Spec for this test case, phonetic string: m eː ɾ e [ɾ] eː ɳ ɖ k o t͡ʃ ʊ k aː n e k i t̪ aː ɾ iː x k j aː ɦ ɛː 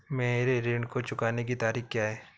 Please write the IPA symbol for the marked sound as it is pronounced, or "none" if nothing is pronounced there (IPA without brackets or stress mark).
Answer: ɾ